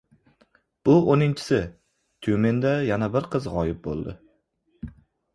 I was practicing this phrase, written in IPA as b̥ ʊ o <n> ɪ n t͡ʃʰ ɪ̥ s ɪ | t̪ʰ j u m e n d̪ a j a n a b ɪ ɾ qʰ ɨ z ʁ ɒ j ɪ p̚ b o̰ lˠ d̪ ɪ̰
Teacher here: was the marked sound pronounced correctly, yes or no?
yes